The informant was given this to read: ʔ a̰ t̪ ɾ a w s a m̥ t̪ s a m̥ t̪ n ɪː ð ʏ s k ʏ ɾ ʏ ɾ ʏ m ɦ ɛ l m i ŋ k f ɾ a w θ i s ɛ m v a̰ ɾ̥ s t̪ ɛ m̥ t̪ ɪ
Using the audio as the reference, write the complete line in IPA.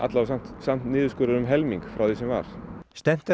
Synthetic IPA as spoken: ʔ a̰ t̪ l a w s a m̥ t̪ s a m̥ t̪ n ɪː ð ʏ s k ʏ ɾ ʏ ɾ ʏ m ɦ ɛ l m i ŋ k f ɾ a w θ i s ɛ m v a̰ ɾ̥ s t̪ ɛ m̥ t̪ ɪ

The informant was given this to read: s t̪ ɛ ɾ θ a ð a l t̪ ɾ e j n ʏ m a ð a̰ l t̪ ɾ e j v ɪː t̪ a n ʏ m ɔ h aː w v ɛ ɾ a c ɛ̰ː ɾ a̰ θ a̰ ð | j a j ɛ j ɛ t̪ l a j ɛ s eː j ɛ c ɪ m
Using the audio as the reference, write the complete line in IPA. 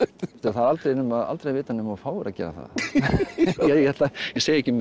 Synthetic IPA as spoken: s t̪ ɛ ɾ θ a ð a l t̪ ɾ e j n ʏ m a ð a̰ l t̪ ɾ e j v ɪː t̪ a n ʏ m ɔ f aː w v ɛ ɾ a c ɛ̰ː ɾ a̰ θ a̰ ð | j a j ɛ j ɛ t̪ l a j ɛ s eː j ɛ c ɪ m

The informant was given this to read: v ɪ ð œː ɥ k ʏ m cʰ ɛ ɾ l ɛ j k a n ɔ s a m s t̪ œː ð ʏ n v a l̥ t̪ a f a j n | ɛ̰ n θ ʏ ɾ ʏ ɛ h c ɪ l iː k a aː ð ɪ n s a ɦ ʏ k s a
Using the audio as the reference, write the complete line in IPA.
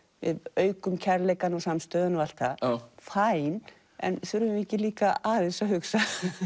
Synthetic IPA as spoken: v ɪ ð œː ɥ k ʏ m cʰ ɛ ɾ l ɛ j k a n ɔ s a m s t̪ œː ð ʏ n v a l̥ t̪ a f a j n | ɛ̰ n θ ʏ ɾ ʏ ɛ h c ɪ l iː k a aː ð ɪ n s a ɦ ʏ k s a

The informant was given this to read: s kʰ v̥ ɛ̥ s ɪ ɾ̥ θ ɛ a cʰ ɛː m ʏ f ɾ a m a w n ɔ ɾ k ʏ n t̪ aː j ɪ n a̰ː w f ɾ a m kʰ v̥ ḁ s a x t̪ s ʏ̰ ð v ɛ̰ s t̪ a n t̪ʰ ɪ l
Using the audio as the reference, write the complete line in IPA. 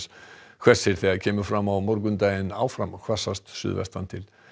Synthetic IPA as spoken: s kʰ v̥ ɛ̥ s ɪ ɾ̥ θ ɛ a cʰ ɛː m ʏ f ɾ a m a w m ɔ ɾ k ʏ n t̪ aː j ɪ n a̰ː w f ɾ a m kʰ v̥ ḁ s a s t̪ s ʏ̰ ð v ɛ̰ s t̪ a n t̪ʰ ɪ l

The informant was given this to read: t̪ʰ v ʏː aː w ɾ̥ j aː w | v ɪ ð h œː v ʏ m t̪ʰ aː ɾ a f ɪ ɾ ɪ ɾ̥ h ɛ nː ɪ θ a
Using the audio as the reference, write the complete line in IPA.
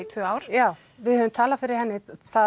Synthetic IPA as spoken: t̪ʰ v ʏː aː w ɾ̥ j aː w | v ɪ ð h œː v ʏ m t̪ʰ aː l a f ɪ ɾ ɪ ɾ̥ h ɛ nː ɪ θ a

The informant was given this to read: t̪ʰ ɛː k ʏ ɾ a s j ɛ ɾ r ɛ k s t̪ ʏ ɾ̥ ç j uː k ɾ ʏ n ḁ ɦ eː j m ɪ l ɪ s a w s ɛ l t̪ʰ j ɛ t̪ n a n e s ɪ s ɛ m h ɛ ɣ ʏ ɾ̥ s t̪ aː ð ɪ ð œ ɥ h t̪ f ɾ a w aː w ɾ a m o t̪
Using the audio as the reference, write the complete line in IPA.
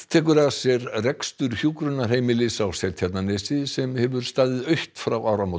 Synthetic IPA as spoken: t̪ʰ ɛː k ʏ ɾ a s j ɛ ɾ r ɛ k s t̪ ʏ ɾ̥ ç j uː k ɾ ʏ n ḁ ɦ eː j m ɪ l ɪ s a w s ɛ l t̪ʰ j ɛ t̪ n a n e s ɪ s ɛ m h ɛ v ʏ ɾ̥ s t̪ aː ð ɪ ð œ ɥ h t̪ f ɾ a w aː w ɾ a m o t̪

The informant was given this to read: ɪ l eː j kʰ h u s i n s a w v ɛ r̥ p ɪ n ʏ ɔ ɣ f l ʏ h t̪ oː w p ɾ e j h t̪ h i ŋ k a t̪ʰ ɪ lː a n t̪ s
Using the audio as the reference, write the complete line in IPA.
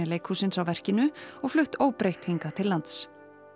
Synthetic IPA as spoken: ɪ l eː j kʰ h u s ɪ n s a w v ɛ r̥ c ɪ n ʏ ɔ ɣ f l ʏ h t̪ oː w p ɾ e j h t̪ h i ŋ k a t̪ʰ ɪ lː a n t̪ s

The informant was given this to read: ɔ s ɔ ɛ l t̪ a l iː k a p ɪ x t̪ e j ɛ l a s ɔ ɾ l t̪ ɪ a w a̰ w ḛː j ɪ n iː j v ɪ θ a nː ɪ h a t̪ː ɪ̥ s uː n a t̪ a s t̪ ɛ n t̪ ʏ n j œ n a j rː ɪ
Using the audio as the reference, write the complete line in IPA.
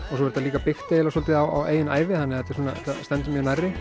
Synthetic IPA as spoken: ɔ s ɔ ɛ ɾ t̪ a l iː k a p ɪ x t̪ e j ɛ l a s ɔ l t̪ ɪ a w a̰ w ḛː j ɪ n aː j v ɪ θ a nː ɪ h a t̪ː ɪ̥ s uː n a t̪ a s t̪ ɛ n t̪ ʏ m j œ n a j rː ɪ

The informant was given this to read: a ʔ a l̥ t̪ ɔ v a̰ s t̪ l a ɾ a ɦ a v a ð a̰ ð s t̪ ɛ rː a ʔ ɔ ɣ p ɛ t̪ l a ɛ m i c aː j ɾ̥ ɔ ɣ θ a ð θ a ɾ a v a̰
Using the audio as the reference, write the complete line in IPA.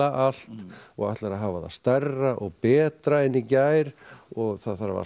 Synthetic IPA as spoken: a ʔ a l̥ t̪ ɔ ɣ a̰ h t̪ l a ɾ a ɦ a v a ð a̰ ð s t̪ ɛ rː a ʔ ɔ ɣ p ɛː t̪ ɾ a ɛ n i c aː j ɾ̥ ɔ ɣ θ a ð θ a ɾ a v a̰

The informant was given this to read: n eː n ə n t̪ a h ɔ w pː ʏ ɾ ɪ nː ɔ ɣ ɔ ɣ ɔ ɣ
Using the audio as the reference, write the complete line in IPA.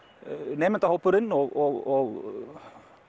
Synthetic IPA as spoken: n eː m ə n t̪ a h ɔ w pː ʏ ɾ ɪ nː ɔ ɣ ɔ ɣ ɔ ɣ

